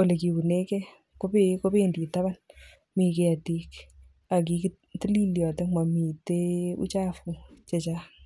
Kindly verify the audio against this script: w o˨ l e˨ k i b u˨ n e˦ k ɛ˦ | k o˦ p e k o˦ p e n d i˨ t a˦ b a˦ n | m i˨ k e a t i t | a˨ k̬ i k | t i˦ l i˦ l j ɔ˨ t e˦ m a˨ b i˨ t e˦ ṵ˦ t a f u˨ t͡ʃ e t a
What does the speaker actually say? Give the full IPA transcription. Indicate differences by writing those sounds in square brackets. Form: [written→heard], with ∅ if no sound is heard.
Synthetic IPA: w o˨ l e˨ k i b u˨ n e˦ k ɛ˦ | k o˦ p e k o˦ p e n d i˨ t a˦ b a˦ n | m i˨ k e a t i [t→k] | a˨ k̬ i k | t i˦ l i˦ l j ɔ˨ t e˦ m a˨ [b→m] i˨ t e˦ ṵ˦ [t→t͡ʃ] a f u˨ t͡ʃ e [t→t͡ʃ] a